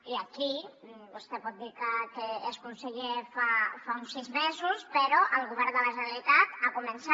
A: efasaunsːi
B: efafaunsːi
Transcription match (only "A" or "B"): B